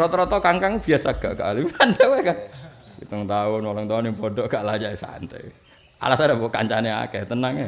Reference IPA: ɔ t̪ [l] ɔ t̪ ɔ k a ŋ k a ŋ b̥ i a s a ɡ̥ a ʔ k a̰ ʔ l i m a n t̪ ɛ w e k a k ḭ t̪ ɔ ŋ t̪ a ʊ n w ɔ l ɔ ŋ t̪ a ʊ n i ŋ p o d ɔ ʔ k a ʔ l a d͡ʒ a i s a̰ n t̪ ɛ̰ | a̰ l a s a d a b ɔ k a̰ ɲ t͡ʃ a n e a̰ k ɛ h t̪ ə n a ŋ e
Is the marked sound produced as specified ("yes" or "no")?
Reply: no